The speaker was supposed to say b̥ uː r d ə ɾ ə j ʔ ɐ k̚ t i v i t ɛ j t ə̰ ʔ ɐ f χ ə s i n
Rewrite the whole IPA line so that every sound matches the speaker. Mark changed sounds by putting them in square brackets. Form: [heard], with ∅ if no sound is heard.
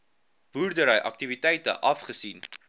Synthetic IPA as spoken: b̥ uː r d ə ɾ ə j ʔ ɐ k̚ t i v i t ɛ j t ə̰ ʔ ɐ f χ ə s i n